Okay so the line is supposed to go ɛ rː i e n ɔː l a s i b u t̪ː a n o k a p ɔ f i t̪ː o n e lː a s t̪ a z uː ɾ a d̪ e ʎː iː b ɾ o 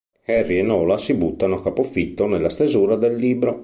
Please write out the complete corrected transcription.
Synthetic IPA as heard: ɛ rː i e n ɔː l a s i b u t̪ː a n o k a p o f i t̪ː o n e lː a s t̪ e z uː ɾ a d̪ e lː iː b ɾ o